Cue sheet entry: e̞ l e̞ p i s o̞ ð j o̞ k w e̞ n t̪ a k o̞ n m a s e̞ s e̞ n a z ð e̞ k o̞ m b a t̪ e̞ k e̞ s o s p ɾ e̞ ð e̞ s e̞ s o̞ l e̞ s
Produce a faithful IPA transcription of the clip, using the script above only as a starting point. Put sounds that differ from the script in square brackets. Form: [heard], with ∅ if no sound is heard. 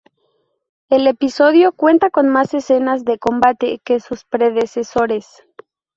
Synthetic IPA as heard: e̞ l e̞ p i s o̞ ð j o̞ k w e̞ n t̪ a k o̞ n m a s e̞ s e̞ n a z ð e̞ k o̞ m b a t̪ e̞ k e̞ s [u] s p ɾ e̞ ð e̞ s e̞ s o̞ [ɾ] e̞ s